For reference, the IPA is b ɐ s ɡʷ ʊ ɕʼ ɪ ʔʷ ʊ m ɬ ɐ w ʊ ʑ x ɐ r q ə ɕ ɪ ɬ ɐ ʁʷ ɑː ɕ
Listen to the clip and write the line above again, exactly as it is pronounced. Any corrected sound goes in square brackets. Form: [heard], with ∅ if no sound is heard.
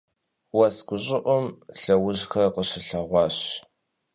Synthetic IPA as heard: [w] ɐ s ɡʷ ʊ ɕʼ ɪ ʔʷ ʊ m ɬ ɐ w ʊ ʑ x ɐ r q ə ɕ ɪ ɬ ɐ ʁʷ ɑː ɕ